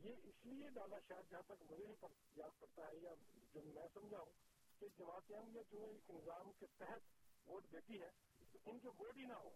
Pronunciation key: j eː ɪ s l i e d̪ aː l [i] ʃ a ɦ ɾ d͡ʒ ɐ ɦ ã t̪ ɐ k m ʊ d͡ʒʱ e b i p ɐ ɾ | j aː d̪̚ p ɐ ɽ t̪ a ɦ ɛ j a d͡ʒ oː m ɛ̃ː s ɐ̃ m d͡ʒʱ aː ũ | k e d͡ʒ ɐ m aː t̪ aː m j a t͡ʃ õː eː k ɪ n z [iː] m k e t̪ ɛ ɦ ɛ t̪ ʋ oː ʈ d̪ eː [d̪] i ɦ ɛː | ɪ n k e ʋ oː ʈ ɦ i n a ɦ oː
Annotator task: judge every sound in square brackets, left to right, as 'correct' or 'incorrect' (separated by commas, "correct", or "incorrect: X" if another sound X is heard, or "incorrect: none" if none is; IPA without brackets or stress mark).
incorrect: a, incorrect: aː, incorrect: t̪